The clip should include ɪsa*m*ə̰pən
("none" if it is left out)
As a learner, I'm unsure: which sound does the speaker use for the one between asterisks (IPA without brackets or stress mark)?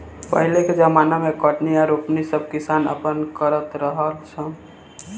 n